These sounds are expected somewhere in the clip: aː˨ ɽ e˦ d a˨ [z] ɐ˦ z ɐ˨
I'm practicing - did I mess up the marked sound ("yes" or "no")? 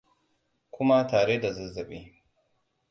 no